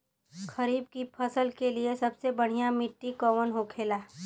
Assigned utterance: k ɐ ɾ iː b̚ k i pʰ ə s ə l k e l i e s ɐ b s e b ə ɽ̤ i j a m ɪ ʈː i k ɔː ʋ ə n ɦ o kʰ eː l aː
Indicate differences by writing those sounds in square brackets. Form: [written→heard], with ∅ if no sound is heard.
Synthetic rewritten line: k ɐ ɾ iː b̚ k i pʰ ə s ə l k e l i e s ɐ b s e b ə ɽ̤ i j a m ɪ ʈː i k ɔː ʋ ə n ɦ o kʰ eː l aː